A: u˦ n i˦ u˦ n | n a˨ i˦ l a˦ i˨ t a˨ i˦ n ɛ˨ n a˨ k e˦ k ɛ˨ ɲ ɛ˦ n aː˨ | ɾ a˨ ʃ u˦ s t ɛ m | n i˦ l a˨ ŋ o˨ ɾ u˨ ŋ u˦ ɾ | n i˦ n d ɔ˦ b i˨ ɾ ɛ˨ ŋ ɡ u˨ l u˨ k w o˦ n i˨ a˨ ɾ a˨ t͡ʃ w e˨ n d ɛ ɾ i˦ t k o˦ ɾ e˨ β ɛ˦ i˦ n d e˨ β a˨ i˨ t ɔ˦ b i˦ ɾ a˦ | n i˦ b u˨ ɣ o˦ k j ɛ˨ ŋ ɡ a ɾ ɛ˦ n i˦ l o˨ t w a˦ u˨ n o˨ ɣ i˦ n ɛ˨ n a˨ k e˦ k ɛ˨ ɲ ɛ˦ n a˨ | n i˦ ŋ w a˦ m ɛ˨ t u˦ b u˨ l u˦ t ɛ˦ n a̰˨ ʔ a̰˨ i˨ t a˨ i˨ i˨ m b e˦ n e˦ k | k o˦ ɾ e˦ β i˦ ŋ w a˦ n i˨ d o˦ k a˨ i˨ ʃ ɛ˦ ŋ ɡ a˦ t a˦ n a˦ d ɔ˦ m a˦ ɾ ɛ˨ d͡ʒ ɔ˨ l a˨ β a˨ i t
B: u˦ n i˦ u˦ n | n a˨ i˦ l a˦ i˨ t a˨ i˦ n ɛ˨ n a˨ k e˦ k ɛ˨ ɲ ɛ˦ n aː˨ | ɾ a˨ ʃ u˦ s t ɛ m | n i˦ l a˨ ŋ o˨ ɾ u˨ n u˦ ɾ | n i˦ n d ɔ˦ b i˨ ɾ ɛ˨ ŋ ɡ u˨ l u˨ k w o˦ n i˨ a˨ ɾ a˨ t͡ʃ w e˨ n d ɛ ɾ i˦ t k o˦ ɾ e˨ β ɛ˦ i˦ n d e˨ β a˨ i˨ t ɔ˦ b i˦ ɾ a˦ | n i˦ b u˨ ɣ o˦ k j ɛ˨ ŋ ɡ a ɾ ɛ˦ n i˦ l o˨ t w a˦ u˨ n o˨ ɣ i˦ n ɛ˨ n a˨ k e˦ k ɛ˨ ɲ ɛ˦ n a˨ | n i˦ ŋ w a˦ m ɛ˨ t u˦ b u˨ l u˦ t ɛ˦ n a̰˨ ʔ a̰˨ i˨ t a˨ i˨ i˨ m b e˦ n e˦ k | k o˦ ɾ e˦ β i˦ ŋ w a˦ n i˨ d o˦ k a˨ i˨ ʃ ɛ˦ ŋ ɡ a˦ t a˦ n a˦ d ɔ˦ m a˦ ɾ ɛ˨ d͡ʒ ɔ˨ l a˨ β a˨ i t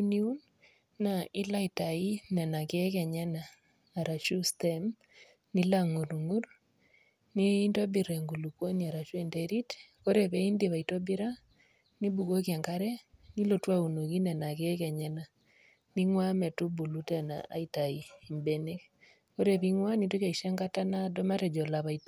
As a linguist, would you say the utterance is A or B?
A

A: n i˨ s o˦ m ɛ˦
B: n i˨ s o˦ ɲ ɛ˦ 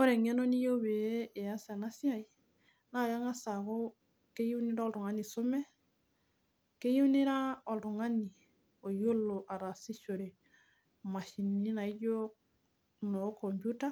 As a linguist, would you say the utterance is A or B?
A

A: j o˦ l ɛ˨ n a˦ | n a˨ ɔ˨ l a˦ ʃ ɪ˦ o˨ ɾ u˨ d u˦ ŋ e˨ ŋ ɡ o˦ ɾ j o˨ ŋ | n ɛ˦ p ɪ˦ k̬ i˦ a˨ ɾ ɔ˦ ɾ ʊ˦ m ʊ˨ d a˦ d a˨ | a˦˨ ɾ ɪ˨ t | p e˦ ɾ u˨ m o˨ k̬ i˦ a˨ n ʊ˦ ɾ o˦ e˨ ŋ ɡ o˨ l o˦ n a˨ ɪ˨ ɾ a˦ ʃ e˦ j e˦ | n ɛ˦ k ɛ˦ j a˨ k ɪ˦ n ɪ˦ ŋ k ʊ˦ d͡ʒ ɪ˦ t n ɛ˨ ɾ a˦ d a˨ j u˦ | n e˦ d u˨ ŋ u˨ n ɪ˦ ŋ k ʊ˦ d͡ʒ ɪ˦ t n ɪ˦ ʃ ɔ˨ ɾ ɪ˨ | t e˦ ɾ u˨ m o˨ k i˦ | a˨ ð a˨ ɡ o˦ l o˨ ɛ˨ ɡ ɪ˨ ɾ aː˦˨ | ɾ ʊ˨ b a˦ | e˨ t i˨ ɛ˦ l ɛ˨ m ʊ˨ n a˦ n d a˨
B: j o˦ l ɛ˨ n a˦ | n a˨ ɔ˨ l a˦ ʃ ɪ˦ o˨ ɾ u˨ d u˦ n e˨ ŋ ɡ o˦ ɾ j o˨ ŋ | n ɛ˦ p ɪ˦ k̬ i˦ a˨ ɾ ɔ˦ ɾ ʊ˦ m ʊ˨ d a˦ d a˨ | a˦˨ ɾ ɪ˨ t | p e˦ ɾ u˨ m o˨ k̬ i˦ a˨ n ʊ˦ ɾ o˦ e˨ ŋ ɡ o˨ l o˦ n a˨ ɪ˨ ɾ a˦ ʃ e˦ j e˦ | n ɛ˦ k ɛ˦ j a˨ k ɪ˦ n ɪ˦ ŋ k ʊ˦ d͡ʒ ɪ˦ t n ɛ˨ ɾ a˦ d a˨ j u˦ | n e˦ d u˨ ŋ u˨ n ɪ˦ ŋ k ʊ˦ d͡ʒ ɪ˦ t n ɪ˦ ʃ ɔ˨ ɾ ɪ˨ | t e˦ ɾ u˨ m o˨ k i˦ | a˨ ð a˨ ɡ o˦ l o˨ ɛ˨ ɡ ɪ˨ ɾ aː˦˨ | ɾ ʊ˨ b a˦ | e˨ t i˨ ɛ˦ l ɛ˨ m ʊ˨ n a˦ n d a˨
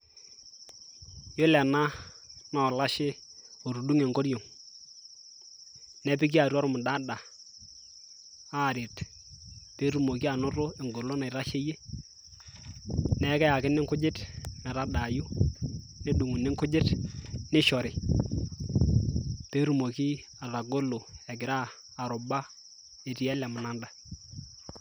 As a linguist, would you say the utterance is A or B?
A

